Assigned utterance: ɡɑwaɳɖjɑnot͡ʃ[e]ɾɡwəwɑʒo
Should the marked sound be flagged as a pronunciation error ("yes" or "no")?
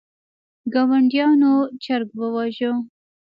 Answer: yes